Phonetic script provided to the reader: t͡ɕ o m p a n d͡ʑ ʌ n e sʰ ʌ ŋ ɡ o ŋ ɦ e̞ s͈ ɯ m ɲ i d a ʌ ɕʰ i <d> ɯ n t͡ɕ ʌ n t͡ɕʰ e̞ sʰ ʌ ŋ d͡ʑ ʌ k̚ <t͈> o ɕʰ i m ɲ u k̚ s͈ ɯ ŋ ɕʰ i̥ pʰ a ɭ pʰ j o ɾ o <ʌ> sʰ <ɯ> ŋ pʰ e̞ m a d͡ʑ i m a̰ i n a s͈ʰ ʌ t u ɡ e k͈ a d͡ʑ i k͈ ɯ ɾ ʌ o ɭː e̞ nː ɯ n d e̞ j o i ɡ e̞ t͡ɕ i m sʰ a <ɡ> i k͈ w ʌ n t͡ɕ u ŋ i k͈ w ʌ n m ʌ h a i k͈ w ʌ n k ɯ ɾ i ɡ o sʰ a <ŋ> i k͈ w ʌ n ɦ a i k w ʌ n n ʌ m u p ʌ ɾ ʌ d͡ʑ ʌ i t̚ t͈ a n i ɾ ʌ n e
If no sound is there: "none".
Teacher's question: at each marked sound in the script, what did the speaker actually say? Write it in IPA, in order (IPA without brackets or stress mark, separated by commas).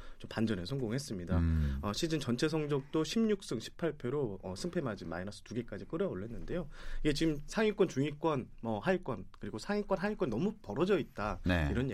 d͡ʑ, t͈, ʌ, ɯ, ŋ, ŋ